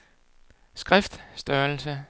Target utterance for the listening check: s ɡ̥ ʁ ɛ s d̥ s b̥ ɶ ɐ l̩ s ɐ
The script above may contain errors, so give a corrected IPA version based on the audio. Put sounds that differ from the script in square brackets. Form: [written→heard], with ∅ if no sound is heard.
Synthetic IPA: s ɡ̥ ʁ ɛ [s→f] d̥ s [b̥→d̥] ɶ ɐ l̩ s [ɐ→ə]

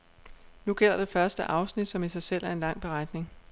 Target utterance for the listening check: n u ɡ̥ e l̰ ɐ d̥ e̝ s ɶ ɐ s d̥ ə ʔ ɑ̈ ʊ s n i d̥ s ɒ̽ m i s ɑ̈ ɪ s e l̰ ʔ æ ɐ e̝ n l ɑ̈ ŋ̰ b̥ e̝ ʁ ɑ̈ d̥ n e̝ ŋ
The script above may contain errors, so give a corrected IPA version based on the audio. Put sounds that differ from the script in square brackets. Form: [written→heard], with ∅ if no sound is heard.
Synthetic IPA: n u ɡ̥ e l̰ ɐ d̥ e̝ [s→f] ɶ ɐ s d̥ ə ʔ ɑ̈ ʊ s n i d̥ s ɒ̽ m i s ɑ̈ ɪ s e l̰ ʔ æ ɐ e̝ n l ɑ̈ ŋ̰ b̥ e̝ ʁ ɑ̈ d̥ n e̝ ŋ

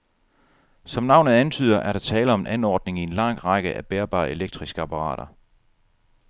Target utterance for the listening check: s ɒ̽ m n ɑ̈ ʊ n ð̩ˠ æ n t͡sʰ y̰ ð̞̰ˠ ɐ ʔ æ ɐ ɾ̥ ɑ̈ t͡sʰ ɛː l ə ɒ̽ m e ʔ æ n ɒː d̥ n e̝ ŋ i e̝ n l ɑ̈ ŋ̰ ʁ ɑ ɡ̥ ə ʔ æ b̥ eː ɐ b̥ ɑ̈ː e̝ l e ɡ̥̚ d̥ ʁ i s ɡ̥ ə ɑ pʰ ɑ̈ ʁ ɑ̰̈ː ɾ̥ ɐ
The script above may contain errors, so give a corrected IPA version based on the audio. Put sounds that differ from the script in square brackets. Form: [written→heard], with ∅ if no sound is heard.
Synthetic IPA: s ɒ̽ m n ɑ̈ ʊ n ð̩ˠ æ n t͡sʰ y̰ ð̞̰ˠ ɐ ʔ æ ɐ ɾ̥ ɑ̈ t͡sʰ ɛː l ə ɒ̽ m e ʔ æ n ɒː d̥ n e̝ ŋ i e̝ n l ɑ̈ ŋ̰ ʁ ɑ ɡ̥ ə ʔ æ b̥ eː ɐ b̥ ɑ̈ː e̝ l e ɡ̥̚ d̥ ʁ i s ɡ̥ ə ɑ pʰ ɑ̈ ʁ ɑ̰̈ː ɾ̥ ɐ

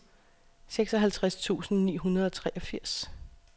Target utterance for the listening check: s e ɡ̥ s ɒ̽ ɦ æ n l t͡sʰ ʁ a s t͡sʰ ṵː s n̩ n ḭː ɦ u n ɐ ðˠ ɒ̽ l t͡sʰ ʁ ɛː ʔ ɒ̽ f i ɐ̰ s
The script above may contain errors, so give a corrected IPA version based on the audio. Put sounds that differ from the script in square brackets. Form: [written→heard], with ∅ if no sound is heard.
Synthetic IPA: s e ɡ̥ s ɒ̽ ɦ æ [n→∅] l t͡sʰ ʁ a s t͡sʰ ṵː s n̩ n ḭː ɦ u n ɐ ðˠ ɒ̽ [l→∅] t͡sʰ ʁ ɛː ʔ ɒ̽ f i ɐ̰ s

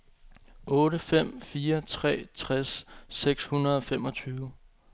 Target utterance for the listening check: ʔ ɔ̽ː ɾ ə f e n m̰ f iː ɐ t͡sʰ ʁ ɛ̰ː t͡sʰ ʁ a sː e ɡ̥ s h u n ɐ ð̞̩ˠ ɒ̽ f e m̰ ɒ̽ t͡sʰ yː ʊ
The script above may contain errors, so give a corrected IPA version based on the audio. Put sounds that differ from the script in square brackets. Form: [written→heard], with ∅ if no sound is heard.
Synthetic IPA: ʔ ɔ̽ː ɾ ə f e [n→∅] m̰ f iː ɐ t͡sʰ ʁ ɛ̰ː t͡sʰ ʁ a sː e ɡ̥ s h u n ɐ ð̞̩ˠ ɒ̽ f e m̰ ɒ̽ t͡sʰ yː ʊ

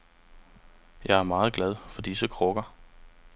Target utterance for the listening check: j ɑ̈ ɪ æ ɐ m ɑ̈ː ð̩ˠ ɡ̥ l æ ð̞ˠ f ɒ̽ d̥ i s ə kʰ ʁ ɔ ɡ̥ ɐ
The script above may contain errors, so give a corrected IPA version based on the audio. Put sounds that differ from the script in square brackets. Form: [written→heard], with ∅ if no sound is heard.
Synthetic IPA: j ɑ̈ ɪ æ ɐ m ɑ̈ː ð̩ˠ ɡ̥ l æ ð̞ˠ f ɒ̽ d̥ i s ə kʰ ʁ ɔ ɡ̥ ɐ

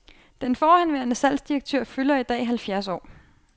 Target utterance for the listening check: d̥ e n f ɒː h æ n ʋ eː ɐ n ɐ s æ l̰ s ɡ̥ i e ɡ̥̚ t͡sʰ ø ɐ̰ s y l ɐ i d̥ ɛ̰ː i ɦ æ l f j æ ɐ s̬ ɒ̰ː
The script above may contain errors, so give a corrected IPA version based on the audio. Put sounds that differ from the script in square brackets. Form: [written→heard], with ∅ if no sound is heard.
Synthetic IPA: d̥ e n f ɒː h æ n ʋ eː ɐ n [ɐ→ə] s æ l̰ s [ɡ̥→d̥] i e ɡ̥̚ t͡sʰ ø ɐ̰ [s→f] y l ɐ i d̥ ɛ̰ː i ɦ æ l f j æ ɐ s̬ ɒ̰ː

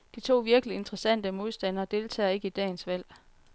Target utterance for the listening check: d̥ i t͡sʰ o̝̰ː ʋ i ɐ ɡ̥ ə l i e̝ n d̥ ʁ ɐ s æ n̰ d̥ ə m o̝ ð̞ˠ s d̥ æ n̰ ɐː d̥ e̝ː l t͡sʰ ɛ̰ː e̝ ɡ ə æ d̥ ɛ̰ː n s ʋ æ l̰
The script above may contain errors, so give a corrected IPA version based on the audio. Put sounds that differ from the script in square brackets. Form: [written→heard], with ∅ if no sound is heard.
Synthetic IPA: d̥ i t͡sʰ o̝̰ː ʋ i ɐ ɡ̥ ə l i e̝ n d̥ ʁ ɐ s æ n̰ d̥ ə m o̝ ð̞ˠ s d̥ æ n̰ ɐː d̥ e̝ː l t͡sʰ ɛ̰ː e̝ ɡ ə [æ→i] d̥ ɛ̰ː n s ʋ æ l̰

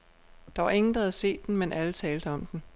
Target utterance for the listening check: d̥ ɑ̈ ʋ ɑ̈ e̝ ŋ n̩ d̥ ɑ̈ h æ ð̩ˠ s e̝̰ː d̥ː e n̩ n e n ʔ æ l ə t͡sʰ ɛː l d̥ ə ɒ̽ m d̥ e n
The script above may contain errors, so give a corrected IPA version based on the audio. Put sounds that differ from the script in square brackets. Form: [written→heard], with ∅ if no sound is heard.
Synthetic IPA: d̥ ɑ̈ ʋ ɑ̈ e̝ ŋ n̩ d̥ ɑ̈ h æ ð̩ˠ s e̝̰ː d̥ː e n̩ [n→m] e n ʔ æ l ə t͡sʰ ɛː l d̥ ə ɒ̽ m d̥ e n

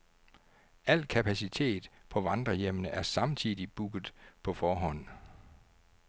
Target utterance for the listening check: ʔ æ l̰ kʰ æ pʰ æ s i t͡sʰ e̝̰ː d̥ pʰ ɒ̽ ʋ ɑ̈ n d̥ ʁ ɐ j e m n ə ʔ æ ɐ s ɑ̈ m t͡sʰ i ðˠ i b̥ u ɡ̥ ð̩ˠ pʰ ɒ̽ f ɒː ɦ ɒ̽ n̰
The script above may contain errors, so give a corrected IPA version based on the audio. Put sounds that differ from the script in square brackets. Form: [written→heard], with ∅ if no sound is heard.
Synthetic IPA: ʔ æ l̰ kʰ æ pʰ æ s i t͡sʰ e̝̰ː d̥ pʰ ɒ̽ ʋ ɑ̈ n d̥ ʁ ɐ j e m n ə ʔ æ ɐ s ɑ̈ m t͡sʰ i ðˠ i b̥ u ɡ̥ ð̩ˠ pʰ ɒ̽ f ɒː ɦ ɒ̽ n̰

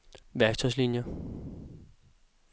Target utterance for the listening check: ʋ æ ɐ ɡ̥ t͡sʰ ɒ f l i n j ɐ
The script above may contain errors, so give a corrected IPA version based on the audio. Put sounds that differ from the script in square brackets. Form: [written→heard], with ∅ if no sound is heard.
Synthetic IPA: ʋ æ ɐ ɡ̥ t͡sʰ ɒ [f→s] l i n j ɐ

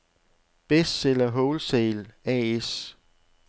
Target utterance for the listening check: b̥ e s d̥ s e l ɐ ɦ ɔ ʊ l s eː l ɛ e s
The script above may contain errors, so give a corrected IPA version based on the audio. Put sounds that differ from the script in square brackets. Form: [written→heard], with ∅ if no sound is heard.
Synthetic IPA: b̥ e s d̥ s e l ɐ ɦ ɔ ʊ l s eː l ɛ e s

